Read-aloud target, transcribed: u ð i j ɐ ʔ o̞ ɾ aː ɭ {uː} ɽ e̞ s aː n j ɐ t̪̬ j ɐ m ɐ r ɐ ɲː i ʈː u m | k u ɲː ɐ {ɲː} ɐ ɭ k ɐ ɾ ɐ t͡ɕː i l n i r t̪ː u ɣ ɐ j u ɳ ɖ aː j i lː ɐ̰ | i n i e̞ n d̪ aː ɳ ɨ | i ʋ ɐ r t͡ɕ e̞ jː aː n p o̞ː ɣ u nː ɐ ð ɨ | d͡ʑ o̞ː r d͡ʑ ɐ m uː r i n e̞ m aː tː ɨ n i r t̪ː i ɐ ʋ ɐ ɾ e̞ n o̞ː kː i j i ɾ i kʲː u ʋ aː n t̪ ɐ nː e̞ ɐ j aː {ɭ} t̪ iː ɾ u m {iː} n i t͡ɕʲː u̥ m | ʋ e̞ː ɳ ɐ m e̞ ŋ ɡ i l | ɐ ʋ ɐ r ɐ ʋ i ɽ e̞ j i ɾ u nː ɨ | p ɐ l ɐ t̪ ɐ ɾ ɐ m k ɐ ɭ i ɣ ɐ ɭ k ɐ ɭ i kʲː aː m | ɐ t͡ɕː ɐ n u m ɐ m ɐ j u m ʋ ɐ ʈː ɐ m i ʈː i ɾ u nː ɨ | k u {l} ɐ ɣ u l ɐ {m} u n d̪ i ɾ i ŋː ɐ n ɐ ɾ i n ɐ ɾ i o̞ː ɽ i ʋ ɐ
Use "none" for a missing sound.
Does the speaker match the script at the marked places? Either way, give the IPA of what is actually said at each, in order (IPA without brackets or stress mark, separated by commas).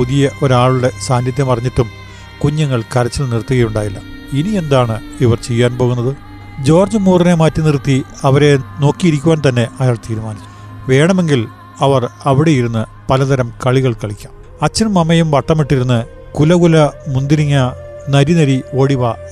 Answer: u, ŋː, ɭ, aː, l, m